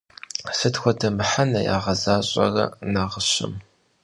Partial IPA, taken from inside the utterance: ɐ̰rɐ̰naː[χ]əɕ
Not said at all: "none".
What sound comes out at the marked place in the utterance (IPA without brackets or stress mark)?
ʁ